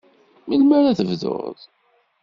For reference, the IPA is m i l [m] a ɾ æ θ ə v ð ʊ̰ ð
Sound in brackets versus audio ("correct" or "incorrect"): correct